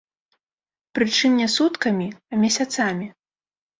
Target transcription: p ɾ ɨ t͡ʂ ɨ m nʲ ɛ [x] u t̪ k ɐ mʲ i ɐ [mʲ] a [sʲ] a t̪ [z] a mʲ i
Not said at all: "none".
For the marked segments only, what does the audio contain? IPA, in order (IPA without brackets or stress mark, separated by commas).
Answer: s, mʲ, sʲ, s